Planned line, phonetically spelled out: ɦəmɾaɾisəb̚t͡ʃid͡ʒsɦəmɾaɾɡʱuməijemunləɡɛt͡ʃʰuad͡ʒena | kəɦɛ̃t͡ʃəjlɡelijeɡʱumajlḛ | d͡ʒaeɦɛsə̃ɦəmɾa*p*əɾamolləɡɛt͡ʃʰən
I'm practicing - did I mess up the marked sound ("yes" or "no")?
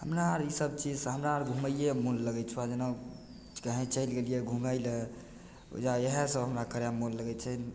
yes